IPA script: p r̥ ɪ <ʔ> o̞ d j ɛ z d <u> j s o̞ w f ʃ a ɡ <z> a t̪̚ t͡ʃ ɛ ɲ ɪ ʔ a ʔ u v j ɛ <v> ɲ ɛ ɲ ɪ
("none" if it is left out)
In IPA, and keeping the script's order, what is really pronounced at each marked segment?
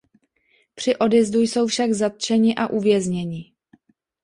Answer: ʔ, u, z, z

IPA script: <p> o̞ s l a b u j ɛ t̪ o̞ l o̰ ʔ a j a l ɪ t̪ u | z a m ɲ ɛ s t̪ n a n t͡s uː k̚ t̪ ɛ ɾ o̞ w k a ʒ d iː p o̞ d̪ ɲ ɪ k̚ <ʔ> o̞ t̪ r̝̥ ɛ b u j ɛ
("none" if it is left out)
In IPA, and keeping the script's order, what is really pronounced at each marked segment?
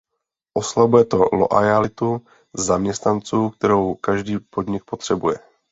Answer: ʔ, p

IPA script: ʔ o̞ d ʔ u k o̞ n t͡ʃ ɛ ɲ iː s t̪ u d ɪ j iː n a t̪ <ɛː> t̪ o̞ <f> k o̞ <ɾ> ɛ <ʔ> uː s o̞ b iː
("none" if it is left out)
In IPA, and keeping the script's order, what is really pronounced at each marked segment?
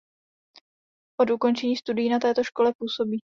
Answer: ɛː, ʃ, l, p

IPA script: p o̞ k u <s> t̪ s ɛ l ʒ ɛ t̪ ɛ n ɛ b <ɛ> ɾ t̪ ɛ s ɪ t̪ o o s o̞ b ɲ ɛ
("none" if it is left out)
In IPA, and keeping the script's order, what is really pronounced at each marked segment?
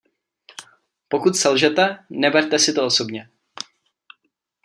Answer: none, ɛ

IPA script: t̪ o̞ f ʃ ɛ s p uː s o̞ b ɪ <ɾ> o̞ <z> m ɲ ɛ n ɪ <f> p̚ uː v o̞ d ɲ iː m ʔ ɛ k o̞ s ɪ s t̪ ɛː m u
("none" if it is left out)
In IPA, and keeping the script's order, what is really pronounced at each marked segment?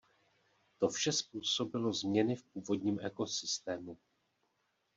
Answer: l, z, f

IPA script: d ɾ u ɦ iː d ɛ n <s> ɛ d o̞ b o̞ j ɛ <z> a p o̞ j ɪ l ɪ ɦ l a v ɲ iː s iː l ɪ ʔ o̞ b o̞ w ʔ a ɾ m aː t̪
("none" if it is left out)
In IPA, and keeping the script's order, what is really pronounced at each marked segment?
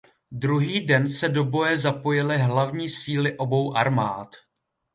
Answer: s, z

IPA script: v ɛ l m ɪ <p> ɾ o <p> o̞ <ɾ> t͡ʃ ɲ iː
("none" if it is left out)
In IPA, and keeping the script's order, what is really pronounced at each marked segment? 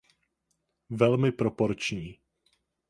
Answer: p, p, ɾ

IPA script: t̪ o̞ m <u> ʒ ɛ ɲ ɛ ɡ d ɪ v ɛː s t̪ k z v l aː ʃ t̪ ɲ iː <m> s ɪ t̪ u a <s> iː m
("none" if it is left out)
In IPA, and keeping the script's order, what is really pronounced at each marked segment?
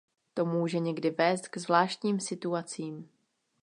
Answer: uː, m, t͡s

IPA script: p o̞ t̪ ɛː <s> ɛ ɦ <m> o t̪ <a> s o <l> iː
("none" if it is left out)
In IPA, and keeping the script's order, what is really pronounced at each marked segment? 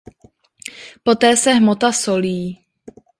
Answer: s, m, a, l

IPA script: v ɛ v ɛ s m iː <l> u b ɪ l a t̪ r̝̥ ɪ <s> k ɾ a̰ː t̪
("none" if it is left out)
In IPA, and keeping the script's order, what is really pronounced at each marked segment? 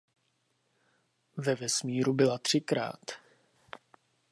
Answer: ɾ, none

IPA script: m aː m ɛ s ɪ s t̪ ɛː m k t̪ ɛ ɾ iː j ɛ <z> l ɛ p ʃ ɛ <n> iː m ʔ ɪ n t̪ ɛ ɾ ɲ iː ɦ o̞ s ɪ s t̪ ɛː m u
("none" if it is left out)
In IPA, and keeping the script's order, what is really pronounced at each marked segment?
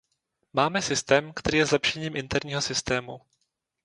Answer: z, ɲ

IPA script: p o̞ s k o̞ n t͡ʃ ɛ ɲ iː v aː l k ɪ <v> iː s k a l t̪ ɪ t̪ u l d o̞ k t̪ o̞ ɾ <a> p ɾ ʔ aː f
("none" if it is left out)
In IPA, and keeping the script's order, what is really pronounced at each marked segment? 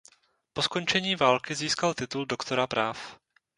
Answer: z, a

